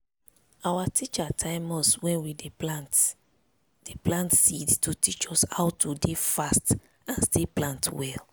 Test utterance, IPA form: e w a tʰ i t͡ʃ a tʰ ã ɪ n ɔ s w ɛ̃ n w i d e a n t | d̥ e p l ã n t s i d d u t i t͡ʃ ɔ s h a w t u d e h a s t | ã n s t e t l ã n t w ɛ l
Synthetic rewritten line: a w a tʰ i t͡ʃ a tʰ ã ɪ m ɔ s w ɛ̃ n w i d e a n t | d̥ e p l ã n t s i d t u t i t͡ʃ ɔ s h a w t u d e f a s t | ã n s t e p l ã n t w ɛ l